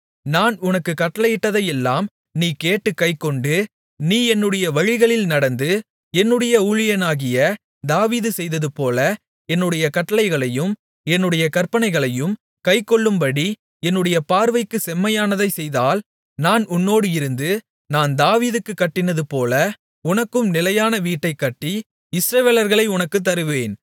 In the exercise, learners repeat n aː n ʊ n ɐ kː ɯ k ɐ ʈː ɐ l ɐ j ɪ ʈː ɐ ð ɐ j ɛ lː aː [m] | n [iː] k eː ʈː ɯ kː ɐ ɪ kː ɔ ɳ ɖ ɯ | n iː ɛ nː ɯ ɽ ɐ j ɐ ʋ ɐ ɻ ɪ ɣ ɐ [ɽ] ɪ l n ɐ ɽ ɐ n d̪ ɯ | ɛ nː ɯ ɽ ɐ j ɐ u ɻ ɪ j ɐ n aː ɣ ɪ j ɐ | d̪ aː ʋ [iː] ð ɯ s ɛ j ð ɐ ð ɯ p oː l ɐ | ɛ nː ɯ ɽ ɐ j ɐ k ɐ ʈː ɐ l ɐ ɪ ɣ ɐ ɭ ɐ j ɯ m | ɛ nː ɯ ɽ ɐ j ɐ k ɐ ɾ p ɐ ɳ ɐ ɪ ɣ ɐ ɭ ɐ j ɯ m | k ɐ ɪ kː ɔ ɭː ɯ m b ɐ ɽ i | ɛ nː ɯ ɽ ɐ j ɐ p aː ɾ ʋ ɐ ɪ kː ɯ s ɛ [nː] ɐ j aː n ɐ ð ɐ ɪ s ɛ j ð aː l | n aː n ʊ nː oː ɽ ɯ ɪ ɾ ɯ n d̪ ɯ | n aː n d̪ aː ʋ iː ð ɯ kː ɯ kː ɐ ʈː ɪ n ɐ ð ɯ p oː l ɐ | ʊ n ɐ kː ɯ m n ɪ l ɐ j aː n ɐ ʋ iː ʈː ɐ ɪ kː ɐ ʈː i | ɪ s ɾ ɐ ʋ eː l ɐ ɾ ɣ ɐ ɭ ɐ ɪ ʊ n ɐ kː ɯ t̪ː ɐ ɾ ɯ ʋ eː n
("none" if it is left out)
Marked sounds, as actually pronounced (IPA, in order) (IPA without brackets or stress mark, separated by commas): m, iː, ɭ, iː, mː